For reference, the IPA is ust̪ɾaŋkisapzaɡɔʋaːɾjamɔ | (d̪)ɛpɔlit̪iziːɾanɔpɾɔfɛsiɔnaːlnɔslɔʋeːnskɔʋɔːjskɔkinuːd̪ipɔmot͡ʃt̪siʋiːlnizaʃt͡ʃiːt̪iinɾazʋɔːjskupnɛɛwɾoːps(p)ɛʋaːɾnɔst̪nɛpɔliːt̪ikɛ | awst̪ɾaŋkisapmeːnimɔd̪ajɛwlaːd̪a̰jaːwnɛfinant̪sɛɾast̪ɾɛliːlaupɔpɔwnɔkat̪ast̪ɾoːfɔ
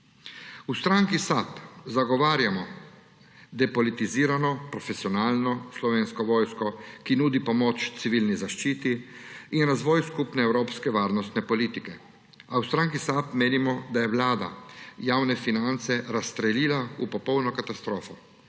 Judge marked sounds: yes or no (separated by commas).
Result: yes, no